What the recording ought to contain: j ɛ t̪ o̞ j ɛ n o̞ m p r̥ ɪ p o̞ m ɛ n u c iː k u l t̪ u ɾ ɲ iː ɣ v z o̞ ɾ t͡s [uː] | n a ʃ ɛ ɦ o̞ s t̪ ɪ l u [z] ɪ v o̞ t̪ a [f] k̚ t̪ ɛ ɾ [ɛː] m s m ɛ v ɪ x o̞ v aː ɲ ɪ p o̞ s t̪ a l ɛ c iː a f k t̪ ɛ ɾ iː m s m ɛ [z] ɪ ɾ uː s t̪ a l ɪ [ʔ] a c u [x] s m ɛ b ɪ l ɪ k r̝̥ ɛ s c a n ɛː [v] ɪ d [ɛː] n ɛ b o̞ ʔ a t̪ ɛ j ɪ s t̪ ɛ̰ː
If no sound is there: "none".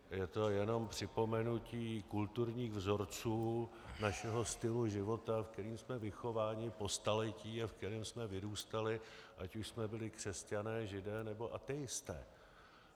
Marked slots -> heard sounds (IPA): uː, ʒ, f, iː, v, ʔ, ʃ, ʒ, ɛː

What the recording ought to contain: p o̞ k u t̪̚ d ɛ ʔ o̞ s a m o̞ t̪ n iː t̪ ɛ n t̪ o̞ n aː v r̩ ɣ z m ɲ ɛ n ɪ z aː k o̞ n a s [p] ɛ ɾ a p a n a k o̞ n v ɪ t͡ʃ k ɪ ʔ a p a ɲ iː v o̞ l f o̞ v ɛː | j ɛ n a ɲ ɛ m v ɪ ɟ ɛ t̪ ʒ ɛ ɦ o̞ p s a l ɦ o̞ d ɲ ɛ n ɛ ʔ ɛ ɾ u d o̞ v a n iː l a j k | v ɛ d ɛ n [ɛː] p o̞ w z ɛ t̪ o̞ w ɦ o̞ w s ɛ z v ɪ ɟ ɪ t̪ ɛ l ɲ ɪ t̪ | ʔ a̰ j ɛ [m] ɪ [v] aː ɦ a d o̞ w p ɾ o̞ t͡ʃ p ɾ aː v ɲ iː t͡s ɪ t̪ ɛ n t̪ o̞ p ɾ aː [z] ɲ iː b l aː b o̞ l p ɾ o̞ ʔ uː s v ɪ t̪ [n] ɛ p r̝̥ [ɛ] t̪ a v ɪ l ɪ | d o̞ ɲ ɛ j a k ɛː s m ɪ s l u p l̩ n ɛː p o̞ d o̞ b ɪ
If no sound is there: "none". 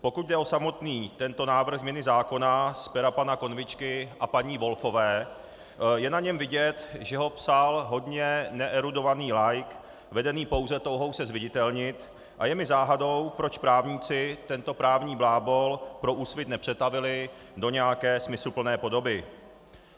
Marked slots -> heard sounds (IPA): p, iː, m, z, v, n, ɛ

